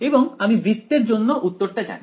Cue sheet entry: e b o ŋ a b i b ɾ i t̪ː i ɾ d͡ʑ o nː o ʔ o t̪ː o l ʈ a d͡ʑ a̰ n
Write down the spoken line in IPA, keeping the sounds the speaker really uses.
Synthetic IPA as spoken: e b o ŋ a m i b ɾ i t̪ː e ɾ d͡ʑ o nː o ʔ u t̪ː o ɾ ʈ a d͡ʑ a̰ n